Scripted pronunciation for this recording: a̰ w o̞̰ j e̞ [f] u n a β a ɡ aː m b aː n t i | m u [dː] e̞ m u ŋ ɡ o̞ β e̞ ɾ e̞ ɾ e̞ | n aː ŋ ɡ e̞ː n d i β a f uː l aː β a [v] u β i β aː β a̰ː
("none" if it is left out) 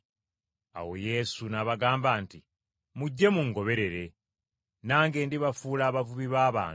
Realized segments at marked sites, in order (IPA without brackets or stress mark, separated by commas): s, ɟː, v